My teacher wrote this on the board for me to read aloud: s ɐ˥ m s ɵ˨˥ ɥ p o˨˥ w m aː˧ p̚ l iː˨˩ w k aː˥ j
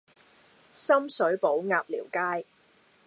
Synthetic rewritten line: s ɐ˥ m s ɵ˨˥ ɥ p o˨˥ w ŋ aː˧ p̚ l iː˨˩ w k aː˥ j